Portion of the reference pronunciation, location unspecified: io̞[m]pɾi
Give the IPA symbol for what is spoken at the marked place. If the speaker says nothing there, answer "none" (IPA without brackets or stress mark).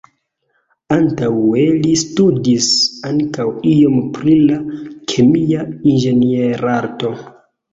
m